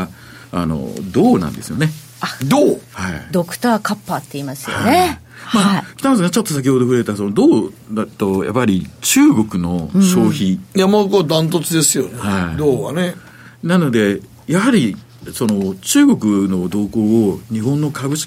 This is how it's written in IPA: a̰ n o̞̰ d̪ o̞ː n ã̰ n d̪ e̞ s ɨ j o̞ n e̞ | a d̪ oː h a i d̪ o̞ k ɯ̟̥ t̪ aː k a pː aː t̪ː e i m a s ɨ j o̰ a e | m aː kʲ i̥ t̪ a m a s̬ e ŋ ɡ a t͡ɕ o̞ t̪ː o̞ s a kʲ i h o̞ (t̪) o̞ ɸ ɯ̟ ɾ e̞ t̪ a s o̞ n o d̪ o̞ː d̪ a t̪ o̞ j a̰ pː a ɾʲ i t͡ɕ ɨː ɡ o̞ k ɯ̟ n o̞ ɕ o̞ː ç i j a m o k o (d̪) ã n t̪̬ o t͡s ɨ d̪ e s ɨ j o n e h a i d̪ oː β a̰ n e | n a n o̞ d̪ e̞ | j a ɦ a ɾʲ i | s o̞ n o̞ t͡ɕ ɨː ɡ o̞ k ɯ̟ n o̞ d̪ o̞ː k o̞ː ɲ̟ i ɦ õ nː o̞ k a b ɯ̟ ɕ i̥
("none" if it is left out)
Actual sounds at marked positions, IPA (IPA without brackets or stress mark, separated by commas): d̪, d̪